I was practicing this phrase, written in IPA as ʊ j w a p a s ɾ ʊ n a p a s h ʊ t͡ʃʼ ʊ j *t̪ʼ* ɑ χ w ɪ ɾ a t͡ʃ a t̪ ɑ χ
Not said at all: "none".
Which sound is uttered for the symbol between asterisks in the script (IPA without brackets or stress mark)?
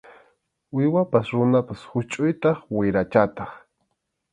t̪